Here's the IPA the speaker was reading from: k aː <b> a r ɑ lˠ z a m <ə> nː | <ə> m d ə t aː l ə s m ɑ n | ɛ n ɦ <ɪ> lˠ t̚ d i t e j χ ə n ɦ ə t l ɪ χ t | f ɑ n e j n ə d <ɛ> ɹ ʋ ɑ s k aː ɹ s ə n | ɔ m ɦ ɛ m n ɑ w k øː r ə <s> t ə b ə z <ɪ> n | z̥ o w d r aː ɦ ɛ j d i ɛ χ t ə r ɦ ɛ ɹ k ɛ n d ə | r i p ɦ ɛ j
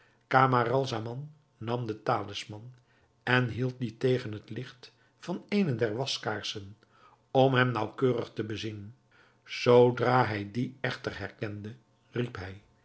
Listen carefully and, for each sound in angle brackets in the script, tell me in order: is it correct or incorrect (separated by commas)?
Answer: incorrect, incorrect, incorrect, incorrect, correct, incorrect, incorrect